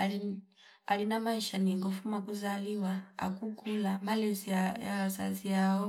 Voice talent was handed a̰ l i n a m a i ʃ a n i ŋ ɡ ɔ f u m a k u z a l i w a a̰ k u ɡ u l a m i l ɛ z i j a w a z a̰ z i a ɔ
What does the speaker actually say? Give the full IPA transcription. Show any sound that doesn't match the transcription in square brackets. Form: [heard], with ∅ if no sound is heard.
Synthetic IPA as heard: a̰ l i n a m a i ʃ a n i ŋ ɡ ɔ f u m a k u z a l i w a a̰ k u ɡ u l a m [a] l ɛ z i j a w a z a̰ z i a ɔ